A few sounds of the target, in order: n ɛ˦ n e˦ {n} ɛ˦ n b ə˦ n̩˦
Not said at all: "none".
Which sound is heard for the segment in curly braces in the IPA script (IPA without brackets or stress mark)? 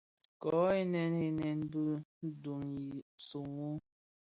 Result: n